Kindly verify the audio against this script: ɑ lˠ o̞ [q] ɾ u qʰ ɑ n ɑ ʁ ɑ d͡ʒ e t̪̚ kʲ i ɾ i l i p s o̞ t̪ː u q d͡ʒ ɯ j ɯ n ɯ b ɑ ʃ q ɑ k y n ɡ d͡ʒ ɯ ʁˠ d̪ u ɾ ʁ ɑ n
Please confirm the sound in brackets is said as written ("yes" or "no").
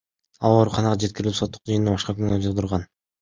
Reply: no